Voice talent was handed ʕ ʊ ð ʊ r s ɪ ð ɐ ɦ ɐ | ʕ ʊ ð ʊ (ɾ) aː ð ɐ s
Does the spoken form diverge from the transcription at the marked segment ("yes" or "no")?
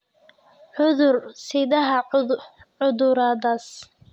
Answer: no